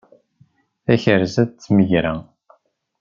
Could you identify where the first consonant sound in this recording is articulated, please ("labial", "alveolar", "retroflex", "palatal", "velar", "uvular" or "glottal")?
palatal